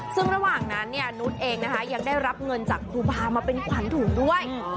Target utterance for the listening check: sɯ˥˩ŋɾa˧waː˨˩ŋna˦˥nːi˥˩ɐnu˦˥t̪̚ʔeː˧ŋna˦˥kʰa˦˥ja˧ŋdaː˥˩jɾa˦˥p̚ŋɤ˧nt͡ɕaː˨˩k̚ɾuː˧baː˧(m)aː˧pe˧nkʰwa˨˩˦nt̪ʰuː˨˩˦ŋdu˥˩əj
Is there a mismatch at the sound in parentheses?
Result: no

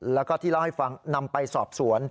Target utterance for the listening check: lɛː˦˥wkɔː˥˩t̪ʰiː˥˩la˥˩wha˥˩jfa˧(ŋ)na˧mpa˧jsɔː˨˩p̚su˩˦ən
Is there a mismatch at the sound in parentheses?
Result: no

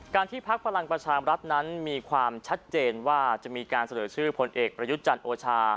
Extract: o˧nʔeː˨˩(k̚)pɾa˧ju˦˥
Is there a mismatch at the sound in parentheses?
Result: no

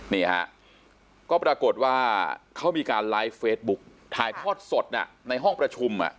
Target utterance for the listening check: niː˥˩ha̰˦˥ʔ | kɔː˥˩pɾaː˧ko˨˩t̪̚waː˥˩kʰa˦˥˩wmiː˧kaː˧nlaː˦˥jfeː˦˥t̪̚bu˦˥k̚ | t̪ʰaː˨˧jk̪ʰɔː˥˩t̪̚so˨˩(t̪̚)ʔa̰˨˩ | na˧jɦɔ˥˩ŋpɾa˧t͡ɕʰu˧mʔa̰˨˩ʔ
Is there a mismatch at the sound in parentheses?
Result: no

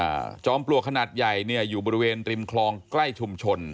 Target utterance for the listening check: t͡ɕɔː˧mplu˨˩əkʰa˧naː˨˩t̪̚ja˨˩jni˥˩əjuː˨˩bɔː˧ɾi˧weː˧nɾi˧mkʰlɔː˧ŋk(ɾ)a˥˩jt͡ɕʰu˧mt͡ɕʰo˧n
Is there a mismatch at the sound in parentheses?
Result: yes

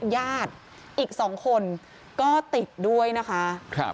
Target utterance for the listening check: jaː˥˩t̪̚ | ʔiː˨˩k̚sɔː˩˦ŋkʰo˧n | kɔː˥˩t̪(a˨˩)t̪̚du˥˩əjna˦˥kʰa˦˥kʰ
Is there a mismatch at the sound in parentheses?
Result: yes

